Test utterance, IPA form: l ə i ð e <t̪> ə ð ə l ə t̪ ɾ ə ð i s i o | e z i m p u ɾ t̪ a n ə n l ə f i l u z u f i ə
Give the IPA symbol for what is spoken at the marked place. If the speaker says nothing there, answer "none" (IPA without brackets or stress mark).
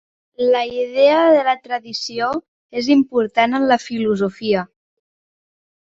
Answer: none